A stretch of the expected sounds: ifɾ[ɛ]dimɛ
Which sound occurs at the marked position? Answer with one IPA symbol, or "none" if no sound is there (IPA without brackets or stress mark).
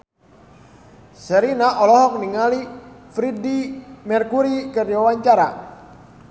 i